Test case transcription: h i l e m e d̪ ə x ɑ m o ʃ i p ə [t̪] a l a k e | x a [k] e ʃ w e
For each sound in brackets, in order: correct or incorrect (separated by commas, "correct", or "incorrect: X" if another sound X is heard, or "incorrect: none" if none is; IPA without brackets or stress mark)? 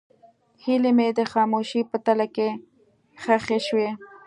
correct, incorrect: x